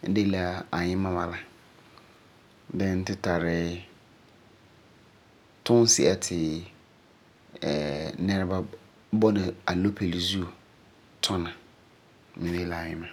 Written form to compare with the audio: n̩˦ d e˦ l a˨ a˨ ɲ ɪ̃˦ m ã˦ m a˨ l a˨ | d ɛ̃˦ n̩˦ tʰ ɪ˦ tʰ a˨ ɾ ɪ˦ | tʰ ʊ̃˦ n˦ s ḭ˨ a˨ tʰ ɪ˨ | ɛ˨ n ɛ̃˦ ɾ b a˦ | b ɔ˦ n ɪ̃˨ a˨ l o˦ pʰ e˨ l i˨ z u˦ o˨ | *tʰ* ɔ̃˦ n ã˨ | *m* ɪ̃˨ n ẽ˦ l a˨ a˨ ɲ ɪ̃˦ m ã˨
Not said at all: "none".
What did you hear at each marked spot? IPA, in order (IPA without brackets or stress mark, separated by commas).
tʰ, m